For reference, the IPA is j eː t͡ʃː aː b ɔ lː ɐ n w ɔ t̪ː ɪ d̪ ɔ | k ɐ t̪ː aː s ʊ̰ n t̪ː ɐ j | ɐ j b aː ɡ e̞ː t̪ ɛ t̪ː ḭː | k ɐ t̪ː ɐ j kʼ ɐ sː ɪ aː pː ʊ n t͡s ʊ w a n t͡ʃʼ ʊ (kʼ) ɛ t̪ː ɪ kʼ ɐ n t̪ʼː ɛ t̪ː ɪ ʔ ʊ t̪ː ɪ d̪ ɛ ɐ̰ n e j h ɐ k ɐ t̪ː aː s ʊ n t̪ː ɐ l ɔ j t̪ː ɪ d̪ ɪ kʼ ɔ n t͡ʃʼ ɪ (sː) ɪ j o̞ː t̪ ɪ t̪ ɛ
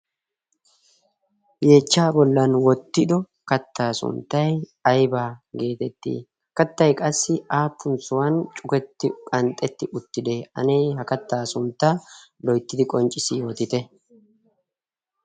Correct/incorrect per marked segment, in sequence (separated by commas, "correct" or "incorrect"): incorrect, incorrect